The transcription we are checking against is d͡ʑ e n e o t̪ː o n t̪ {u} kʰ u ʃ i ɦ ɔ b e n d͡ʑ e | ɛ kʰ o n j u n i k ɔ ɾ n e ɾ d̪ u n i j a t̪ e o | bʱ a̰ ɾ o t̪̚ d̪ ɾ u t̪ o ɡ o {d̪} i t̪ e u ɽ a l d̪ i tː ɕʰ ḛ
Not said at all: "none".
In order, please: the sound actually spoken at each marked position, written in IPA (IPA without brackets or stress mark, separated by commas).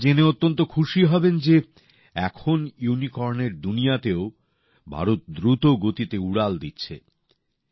o, t̪